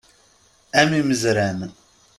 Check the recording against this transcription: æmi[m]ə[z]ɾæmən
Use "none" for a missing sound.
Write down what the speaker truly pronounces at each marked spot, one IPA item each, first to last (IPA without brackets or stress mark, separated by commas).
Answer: m, z